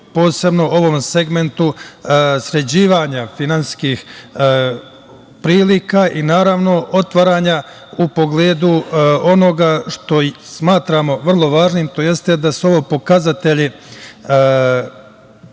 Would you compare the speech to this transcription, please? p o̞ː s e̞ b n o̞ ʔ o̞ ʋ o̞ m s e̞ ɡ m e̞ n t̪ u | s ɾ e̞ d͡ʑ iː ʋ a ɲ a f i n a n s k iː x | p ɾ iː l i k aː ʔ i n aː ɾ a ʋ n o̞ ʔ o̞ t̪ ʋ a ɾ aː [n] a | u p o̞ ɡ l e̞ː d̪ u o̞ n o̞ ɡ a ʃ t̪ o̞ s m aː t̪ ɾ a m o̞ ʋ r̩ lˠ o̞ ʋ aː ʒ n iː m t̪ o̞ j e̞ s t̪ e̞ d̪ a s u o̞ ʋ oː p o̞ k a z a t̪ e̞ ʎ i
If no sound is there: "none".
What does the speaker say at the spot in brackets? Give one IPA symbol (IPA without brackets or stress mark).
ɲ